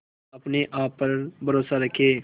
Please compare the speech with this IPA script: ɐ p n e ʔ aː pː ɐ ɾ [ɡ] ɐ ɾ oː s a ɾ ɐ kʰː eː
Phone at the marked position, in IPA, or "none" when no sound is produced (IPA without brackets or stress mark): b